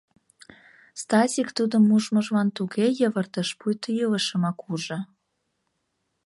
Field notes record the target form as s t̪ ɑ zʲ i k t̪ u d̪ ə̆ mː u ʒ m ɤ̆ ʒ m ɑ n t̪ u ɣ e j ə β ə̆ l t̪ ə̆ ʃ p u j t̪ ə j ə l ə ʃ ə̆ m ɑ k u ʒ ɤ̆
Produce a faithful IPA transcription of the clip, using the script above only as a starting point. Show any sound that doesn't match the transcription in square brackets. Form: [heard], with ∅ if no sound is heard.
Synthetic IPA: s t̪ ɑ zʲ i k t̪ u d̪ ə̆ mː u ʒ m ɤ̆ ʒ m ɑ n t̪ u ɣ e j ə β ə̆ [r] t̪ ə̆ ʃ p u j t̪ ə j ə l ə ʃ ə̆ m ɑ k u ʒ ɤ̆